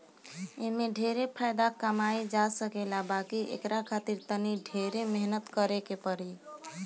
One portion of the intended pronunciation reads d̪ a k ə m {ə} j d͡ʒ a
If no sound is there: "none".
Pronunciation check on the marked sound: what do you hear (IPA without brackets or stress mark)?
a